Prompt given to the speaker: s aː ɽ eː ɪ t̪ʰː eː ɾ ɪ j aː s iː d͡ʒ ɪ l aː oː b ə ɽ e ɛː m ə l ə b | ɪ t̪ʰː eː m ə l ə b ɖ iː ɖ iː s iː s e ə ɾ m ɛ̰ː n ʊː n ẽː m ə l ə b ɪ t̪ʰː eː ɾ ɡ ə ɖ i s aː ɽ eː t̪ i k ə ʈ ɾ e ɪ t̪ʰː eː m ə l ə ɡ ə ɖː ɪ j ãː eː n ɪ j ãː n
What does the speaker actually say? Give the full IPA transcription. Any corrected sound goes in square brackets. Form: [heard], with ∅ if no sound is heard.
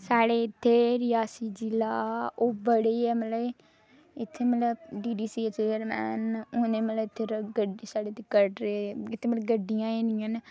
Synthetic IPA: s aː ɽ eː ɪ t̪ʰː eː ɾ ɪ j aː s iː d͡ʒ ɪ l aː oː b ə ɽ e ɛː m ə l ə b | ɪ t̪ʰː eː m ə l ə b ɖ iː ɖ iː s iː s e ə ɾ m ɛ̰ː n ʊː n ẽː m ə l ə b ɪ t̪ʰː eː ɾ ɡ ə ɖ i s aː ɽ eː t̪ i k ə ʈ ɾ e ɪ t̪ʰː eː m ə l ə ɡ ə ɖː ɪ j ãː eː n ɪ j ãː n